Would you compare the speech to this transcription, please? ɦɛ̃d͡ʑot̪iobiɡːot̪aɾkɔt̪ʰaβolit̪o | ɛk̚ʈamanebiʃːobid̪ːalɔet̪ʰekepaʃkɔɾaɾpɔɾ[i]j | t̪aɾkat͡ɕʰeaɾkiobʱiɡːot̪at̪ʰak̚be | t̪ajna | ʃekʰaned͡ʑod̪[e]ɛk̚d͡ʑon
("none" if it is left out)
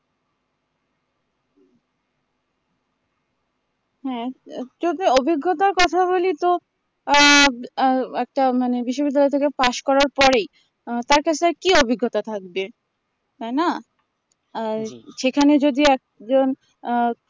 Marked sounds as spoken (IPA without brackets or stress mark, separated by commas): e, i